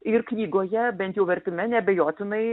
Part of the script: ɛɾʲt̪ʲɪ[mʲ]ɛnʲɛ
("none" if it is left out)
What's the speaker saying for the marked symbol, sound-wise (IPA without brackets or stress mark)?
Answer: mʲ